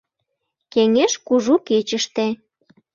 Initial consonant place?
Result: velar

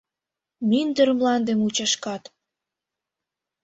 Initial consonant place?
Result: labial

